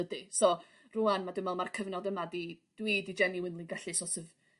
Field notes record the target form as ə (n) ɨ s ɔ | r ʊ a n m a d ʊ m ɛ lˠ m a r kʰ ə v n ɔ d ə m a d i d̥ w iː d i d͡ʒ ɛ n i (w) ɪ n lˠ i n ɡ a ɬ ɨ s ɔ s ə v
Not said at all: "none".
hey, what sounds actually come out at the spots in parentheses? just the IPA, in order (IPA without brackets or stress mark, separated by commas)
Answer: d, w